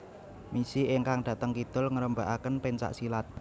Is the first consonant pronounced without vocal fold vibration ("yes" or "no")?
no